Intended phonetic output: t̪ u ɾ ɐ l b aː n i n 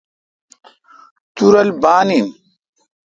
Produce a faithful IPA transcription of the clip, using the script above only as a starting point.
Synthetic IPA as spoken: t̪ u ɾ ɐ l b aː n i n